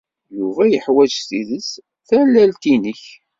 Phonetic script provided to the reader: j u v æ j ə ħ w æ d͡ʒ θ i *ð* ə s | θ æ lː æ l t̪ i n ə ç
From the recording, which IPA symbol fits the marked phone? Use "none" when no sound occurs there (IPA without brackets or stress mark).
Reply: ð